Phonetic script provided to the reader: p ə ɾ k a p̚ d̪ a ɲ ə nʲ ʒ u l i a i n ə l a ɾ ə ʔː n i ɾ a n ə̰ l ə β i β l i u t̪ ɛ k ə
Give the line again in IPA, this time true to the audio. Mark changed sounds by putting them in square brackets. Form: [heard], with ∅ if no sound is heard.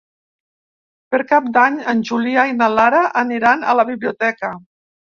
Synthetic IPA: p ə ɾ k a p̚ d̪ a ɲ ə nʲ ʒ u l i a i n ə l a ɾ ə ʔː n i ɾ a n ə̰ l ə β i β l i u t̪ ɛ k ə